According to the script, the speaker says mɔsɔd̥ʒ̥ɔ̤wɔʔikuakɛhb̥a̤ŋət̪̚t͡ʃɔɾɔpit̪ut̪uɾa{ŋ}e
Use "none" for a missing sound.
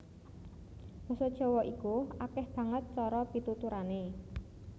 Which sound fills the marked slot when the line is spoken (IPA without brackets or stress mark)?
n